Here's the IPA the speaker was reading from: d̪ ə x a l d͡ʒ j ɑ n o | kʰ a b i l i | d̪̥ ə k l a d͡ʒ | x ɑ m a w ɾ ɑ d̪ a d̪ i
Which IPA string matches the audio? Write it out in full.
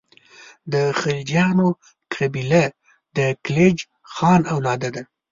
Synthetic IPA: d̪ ə x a l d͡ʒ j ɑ n o | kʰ a b i l a | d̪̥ ə k l e d͡ʒ | x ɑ n a w l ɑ d̪ a d̪ a